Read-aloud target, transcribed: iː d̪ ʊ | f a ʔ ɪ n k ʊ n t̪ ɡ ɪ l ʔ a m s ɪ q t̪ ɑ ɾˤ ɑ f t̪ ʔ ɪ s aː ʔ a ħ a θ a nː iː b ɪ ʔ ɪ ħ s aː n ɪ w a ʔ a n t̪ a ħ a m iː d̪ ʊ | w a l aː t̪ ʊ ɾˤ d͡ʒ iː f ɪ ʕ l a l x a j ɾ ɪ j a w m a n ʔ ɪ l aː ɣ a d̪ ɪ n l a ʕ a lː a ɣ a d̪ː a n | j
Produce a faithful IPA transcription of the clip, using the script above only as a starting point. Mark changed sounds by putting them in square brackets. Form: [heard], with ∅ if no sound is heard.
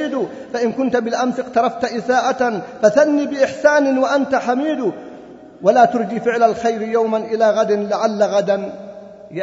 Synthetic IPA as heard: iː d̪ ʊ | f a ʔ ɪ n k ʊ n t̪ [b] ɪ l ʔ a m s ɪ q t̪ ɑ ɾˤ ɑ f t̪ ʔ ɪ s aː ʔ a [f] a θ a nː iː b ɪ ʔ ɪ ħ s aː n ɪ w a ʔ a n t̪ a ħ a m iː d̪ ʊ | w a l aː t̪ ʊ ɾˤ d͡ʒ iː f ɪ ʕ l a l x a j ɾ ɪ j a w m a n ʔ ɪ l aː ɣ a d̪ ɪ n l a ʕ a lː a ɣ a [d̪] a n | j